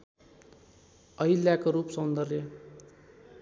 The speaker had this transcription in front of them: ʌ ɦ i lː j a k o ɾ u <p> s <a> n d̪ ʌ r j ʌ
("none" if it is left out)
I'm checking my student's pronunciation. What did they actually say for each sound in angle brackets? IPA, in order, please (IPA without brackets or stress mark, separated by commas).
p, ʌ